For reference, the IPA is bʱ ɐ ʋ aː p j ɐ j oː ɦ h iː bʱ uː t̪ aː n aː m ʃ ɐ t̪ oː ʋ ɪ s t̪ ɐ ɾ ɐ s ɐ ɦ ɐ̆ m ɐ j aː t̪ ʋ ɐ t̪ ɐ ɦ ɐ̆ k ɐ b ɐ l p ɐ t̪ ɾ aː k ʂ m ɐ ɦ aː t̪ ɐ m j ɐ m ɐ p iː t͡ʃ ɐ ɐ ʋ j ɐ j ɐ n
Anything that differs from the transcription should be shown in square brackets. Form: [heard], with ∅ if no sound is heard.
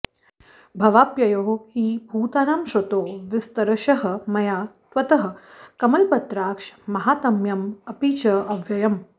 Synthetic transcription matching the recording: bʱ ɐ ʋ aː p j ɐ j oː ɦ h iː bʱ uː t̪ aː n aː m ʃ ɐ t̪ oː ʋ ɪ s t̪ ɐ ɾ ɐ [ʃ] ɐ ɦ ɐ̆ m ɐ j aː t̪ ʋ ɐ t̪ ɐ ɦ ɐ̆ k ɐ [m] ɐ l p ɐ t̪ ɾ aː k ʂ m ɐ ɦ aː t̪ ɐ m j ɐ m ɐ p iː t͡ʃ ɐ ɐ ʋ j ɐ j ɐ [m]